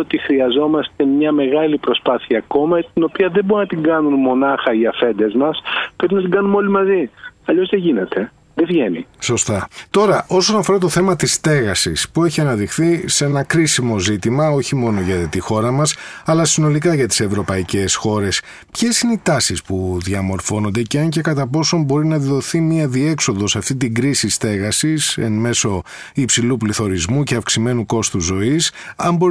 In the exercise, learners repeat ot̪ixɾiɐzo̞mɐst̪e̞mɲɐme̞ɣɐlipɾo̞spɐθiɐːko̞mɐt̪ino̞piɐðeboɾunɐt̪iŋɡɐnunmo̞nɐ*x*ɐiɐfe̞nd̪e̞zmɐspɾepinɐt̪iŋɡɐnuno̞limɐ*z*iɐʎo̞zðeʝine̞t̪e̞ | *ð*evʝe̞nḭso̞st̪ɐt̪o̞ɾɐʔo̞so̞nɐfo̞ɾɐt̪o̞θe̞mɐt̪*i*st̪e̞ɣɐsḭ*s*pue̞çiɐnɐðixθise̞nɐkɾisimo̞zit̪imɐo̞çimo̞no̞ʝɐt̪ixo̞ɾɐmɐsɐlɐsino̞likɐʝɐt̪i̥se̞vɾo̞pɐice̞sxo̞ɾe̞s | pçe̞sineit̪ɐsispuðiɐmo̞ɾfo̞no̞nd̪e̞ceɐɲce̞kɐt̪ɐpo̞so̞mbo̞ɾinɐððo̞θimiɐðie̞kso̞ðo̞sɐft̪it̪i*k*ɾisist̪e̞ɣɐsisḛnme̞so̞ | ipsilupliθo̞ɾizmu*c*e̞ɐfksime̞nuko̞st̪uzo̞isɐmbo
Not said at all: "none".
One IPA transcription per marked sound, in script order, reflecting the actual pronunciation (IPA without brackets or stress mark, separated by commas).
x, z, ð, i, s, ɡ, c